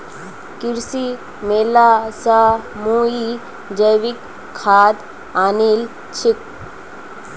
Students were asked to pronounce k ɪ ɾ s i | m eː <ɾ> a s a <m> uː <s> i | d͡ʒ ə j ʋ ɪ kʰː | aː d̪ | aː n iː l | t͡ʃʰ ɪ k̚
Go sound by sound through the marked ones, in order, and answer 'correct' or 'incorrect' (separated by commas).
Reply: incorrect, correct, incorrect